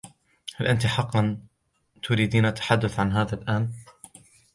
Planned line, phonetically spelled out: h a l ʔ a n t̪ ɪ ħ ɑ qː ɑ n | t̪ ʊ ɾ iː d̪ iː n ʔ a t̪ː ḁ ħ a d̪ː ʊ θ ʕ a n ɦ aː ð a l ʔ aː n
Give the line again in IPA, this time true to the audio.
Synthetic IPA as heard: h a l ʔ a n t̪ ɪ ħ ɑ qː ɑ n | t̪ ʊ ɾ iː d̪ iː n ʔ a t̪ː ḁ ħ a d̪ː ʊ θ ʕ a n ɦ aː ð a l ʔ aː n

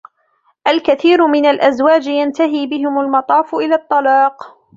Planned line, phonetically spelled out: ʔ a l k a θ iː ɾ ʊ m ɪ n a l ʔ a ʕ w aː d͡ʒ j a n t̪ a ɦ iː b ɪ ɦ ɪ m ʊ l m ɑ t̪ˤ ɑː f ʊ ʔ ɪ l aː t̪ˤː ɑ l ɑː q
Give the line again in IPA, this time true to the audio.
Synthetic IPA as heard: ʔ a l k a θ iː ɾ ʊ m ɪ n a l ʔ a z w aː d͡ʒ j a n t̪ a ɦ iː b ɪ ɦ ɪ m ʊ l m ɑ t̪ˤ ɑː f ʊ ʔ ɪ l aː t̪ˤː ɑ l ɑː q

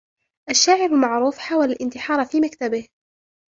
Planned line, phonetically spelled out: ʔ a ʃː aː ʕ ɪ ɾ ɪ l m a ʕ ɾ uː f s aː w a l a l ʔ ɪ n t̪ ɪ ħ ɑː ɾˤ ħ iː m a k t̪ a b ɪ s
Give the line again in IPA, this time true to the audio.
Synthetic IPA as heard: ʔ a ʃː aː ʕ ɪ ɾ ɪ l m a ʕ ɾ uː f ħ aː w a l a l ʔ ɪ n t̪ ɪ ħ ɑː ɾˤ f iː m a k t̪ a b ɪ h

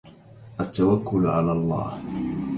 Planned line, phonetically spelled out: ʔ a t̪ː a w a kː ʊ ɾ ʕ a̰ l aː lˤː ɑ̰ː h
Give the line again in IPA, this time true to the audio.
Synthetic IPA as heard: ʔ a t̪ː a w a kː ʊ l ʕ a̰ l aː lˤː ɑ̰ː h

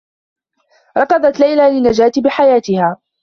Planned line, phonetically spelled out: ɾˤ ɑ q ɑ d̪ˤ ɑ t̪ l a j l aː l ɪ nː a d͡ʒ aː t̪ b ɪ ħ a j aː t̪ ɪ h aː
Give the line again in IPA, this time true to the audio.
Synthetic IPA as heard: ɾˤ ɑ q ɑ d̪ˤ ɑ t̪ l a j l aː l ɪ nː a d͡ʒ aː t̪ b ɪ ħ a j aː t̪ ɪ h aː

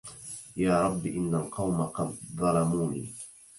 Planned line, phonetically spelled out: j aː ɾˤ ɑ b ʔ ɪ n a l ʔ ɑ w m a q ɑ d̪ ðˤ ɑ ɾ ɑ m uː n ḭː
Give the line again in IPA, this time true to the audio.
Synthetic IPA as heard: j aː ɾˤ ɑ bː ʔ ɪ nː a l q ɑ w m a q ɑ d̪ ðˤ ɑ l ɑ m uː n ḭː

